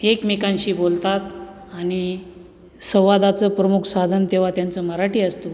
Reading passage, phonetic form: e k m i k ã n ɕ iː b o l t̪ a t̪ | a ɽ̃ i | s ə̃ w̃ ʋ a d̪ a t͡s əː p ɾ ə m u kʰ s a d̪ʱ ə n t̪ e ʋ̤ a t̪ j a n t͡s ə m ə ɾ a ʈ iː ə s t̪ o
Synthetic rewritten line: e k m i k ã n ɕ iː b o l t̪ a t̪ | a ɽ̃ i | s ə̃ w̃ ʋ a d̪ a t͡s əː p ɾ ə m u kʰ s a d̪ʱ ə n t̪ e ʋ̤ a t̪ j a n t͡s ə m ə ɾ a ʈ iː ə s t̪ o

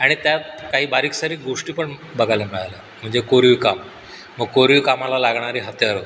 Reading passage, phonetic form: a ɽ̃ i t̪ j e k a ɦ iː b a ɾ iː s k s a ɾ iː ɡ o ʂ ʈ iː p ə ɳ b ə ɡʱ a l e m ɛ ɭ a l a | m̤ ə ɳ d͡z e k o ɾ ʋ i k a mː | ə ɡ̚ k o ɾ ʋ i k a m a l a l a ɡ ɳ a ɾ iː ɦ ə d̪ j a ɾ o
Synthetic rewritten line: a ɽ̃ i t̪ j a k a ɦ iː b a ɾ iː k s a ɾ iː ɡ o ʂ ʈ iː p ə ɳ b ə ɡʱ a l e m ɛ ɭ a l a | m̤ ə ɳ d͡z e k o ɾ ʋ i k a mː | ə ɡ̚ k o ɾ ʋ i k a m a l a l a ɡ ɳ a ɾ iː ɦ ə t̪ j a ɾ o

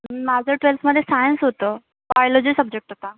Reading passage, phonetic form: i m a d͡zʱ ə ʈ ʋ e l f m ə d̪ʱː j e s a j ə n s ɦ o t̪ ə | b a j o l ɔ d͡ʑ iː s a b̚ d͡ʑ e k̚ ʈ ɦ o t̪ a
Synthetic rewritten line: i m a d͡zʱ ə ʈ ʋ e l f m ə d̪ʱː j e s a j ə n s ɦ o t̪ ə | b a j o l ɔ d͡ʑ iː s ə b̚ d͡ʑ e k̚ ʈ ɦ o t̪ a

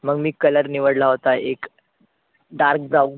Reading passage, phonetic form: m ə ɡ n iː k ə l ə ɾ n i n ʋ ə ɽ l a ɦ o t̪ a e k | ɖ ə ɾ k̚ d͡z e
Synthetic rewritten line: m ə ɡ m iː k ə l ə ɾ n i ʋ ə ɽ l a ɦ o t̪ a e k | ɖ a ɾ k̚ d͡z a

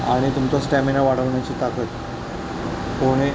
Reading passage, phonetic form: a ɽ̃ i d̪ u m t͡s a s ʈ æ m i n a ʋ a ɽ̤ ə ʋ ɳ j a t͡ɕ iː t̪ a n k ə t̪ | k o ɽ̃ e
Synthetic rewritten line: a ɽ̃ i t̪ u m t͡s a s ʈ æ m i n a ʋ a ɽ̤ ə ʋ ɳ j a t͡ɕ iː t̪ a k ə t̪ | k o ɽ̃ e

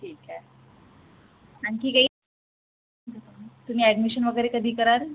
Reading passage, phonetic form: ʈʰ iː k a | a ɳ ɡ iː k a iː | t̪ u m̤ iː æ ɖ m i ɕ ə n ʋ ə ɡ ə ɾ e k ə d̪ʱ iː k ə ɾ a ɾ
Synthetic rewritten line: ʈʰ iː k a | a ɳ k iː k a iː | t̪ u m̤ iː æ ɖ m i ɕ ə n ʋ ə ɡ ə ɾ e k ə d̪ʱ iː k ə ɾ a ɾ

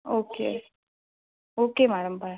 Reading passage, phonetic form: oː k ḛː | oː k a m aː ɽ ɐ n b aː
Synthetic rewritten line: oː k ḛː | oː k e m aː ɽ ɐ m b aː

